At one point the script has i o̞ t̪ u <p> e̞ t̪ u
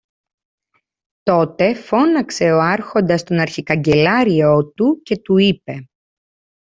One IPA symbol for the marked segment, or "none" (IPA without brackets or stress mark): c